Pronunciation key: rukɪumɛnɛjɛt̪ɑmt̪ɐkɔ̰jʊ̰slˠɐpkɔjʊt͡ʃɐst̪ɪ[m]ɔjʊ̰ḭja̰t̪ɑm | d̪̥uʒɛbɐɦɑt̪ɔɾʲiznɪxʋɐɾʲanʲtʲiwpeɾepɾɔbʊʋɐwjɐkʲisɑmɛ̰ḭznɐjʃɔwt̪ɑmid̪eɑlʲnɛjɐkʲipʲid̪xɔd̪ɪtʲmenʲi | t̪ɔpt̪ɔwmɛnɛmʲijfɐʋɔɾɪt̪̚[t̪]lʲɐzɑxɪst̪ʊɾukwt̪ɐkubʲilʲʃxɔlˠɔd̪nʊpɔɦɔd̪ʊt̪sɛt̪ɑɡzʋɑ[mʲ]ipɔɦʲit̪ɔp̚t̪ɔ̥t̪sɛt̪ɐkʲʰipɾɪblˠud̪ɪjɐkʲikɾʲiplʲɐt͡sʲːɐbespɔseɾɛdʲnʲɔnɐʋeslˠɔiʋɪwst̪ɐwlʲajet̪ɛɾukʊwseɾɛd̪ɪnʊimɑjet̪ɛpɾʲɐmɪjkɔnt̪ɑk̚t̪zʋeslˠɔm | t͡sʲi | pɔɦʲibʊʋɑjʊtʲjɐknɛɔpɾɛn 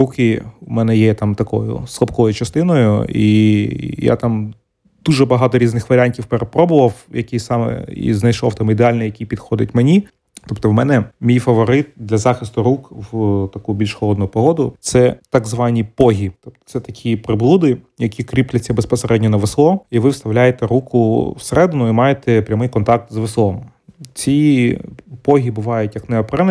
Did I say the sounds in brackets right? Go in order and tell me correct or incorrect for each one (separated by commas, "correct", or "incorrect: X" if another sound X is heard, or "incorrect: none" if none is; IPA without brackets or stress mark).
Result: incorrect: n, incorrect: d̪, incorrect: nʲ